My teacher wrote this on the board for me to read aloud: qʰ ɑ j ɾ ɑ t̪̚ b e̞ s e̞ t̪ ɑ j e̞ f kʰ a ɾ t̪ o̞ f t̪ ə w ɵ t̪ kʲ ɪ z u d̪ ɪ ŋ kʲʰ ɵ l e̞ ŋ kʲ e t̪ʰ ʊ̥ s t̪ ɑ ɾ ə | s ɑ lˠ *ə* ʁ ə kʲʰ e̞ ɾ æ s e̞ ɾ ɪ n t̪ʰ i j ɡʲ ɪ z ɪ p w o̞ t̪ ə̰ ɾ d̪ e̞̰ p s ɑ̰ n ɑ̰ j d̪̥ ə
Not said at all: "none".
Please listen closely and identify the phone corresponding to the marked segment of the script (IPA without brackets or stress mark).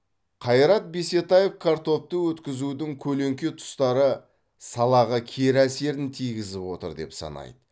ɑ